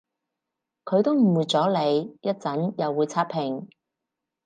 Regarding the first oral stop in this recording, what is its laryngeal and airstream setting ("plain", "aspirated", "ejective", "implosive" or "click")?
aspirated